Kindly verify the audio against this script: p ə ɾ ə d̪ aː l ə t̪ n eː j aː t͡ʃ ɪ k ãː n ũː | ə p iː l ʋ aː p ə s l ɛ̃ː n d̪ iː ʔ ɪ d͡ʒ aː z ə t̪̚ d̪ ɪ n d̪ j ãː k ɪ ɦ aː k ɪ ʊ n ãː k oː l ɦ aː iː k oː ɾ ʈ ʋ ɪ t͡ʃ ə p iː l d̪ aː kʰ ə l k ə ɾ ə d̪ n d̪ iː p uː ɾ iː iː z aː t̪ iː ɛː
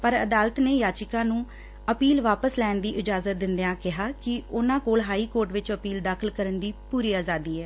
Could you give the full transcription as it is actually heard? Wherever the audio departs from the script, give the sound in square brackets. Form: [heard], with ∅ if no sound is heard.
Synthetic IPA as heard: p ə ɾ ə d̪ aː l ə t̪ n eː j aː t͡ʃ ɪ k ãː n ũː | ə p iː l ʋ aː p ə s l [ɛː] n d̪ iː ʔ ɪ d͡ʒ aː z ə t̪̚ d̪ ɪ n d̪ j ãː k ɪ ɦ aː k ɪ ʊ n ãː k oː l ɦ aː iː k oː ɾ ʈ ʋ ɪ t͡ʃ ə p iː l d̪ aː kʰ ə l k ə ɾ ə [∅] n d̪ iː p uː ɾ iː [aː] z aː [d̪] iː ɛː